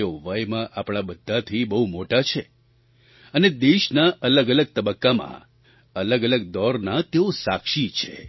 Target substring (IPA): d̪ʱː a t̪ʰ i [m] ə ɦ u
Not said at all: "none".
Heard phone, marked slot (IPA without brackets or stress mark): b